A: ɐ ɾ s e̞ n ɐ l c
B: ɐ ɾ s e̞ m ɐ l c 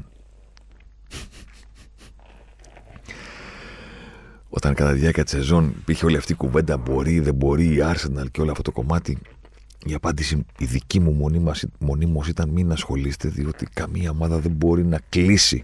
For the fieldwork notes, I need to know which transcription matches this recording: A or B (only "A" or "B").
A